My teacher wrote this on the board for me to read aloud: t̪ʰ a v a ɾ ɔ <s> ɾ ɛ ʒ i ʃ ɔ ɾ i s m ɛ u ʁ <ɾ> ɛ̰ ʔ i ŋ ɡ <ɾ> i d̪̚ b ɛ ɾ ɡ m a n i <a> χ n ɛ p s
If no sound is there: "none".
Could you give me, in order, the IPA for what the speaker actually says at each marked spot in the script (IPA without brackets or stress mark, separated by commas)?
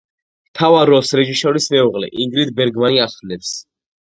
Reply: s, l, ɾ, a